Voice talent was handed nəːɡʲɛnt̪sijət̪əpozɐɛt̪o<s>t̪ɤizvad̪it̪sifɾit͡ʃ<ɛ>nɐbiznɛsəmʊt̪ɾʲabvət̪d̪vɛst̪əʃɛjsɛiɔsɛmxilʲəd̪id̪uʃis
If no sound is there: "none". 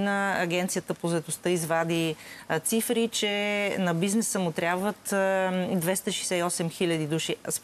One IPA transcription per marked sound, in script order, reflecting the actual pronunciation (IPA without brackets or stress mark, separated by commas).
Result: s, ɛ